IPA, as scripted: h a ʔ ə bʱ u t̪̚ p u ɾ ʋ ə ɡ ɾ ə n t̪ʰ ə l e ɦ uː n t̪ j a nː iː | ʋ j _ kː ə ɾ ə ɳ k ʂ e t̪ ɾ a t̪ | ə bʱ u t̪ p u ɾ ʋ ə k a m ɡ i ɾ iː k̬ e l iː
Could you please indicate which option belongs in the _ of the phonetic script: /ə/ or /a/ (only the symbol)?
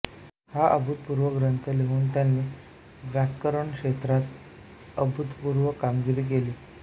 a